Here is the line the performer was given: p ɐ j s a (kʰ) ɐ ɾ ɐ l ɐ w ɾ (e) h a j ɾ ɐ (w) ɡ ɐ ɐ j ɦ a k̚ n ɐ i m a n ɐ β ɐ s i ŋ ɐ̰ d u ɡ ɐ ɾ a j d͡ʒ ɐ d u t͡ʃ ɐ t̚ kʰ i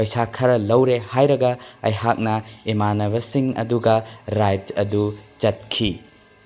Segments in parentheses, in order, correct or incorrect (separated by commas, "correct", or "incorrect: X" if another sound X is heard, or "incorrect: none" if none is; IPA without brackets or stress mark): correct, correct, incorrect: none